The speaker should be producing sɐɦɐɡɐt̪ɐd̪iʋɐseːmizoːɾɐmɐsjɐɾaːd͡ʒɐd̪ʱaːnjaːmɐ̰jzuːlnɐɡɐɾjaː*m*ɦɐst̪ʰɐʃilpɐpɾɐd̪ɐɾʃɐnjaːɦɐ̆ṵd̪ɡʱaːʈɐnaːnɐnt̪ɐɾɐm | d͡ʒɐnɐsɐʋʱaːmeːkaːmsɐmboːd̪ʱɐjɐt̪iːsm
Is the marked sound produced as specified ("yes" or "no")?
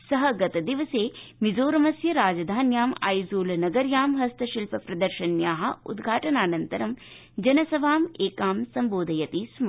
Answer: yes